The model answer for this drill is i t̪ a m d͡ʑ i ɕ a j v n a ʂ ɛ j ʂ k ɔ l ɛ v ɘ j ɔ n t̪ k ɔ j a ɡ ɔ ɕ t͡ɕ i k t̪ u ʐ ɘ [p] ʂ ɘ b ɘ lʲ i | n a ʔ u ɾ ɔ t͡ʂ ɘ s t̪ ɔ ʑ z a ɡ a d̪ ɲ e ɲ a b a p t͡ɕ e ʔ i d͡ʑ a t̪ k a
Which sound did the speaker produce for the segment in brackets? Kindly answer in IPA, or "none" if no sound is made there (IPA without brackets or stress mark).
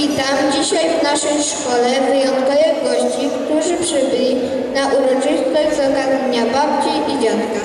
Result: p